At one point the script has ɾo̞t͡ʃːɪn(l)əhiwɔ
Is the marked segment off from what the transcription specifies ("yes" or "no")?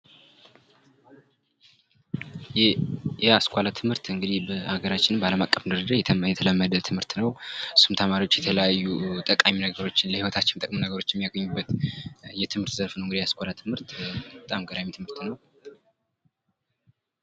no